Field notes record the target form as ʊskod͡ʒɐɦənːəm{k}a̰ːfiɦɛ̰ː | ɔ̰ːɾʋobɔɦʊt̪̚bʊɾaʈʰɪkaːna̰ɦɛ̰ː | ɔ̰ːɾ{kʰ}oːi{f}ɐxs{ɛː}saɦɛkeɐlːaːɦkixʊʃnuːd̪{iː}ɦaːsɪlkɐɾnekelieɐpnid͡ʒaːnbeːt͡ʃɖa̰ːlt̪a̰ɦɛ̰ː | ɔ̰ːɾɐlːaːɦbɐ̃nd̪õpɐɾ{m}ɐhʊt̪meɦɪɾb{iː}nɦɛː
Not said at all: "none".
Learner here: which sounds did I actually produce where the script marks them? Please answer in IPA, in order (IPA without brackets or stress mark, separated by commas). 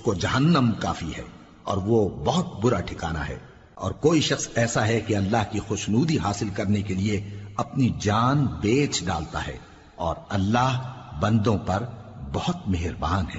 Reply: k, k, ʃ, ɛː, i, b, aː